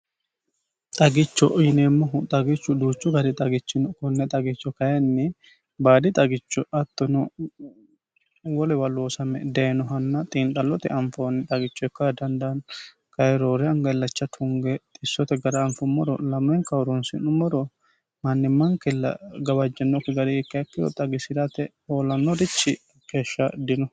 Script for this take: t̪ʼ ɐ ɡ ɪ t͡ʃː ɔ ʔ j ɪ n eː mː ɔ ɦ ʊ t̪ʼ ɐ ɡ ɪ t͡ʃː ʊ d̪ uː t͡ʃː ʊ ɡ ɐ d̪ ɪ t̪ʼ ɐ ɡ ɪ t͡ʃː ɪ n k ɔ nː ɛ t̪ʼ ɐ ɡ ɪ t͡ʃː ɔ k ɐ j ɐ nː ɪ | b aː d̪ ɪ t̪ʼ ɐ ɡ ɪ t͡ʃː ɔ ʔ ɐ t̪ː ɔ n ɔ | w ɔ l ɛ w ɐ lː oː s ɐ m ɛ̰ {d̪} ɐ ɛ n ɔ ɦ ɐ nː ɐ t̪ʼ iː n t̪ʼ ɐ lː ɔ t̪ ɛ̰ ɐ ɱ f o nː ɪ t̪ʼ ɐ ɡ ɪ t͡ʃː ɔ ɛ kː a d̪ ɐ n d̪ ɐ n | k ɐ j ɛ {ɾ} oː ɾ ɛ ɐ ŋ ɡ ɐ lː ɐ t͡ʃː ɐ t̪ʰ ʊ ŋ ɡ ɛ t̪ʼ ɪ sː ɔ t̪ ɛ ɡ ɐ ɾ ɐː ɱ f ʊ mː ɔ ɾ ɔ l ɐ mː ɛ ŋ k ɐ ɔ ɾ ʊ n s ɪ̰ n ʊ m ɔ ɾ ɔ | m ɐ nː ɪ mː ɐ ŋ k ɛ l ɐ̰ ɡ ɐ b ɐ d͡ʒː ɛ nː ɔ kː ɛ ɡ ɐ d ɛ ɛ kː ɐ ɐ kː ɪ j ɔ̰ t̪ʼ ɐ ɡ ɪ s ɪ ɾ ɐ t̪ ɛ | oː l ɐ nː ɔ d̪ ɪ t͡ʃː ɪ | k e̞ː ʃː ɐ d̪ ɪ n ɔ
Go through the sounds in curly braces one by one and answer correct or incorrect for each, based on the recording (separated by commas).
correct, correct